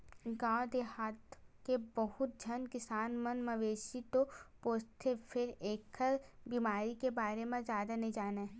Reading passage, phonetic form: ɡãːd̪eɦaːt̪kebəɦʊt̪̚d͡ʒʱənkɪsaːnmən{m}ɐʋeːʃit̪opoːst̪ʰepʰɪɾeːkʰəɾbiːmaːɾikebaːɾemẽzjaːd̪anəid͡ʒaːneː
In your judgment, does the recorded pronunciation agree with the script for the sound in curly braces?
yes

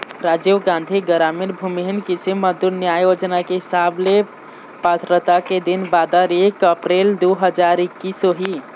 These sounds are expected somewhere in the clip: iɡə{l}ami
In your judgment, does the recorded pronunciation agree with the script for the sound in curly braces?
no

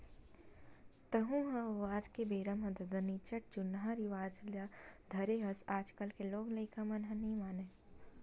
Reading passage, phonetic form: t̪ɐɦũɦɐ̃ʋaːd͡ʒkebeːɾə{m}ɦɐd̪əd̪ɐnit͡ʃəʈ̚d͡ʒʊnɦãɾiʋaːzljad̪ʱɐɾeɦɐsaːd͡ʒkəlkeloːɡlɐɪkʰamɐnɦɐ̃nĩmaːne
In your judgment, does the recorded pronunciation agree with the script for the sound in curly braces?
yes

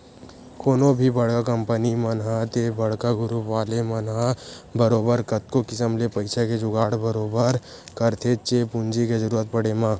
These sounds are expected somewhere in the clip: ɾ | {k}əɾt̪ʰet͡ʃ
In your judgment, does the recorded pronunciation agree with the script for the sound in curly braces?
yes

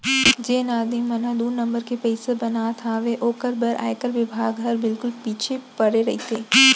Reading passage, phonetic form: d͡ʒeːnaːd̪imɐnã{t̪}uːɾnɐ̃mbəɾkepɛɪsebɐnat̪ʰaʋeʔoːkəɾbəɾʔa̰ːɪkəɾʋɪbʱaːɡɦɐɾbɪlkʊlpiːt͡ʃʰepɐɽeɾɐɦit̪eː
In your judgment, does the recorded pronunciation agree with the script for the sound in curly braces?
no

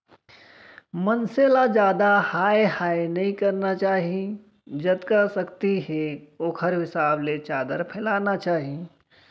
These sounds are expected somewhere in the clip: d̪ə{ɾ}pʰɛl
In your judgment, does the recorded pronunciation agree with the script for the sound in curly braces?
yes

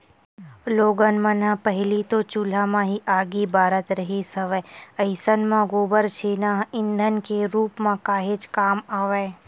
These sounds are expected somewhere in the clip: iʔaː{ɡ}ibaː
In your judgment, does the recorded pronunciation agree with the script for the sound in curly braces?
yes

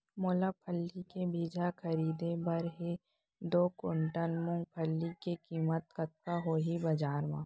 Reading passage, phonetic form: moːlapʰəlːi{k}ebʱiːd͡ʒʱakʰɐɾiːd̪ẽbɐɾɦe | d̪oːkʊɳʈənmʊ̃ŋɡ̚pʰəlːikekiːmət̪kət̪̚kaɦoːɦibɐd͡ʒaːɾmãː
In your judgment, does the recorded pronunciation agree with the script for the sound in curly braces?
yes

